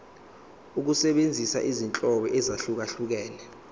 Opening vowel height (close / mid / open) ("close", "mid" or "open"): close